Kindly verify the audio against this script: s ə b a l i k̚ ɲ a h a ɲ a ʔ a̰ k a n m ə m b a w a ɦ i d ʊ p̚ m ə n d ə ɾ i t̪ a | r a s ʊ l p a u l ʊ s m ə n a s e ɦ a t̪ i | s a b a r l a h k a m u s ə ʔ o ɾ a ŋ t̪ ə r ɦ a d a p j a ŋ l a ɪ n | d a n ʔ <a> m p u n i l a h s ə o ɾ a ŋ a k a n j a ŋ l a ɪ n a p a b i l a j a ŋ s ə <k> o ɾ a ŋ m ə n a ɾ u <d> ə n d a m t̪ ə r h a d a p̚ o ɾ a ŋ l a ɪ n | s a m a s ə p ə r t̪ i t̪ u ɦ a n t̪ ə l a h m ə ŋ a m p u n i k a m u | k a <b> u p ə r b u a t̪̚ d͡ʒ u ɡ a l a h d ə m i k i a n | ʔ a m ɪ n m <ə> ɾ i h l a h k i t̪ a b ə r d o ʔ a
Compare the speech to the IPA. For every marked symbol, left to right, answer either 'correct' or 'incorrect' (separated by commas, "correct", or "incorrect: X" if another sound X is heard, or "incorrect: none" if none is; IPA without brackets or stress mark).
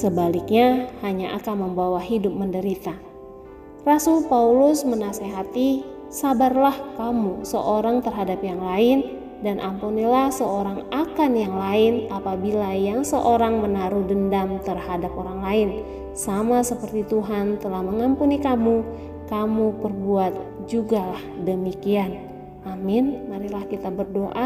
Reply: correct, incorrect: ʔ, correct, incorrect: m, incorrect: a